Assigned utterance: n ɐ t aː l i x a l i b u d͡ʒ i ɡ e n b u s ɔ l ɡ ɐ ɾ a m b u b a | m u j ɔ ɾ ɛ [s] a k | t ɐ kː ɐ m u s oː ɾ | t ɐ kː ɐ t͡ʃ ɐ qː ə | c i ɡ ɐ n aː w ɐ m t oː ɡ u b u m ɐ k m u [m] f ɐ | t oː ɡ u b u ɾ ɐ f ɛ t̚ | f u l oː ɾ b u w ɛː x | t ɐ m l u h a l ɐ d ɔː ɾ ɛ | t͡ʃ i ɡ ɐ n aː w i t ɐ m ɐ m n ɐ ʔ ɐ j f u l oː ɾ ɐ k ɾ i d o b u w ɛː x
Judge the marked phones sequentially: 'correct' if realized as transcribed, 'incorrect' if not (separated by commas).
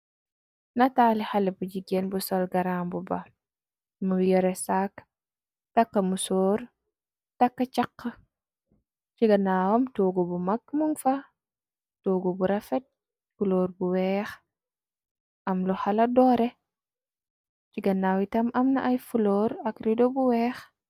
correct, incorrect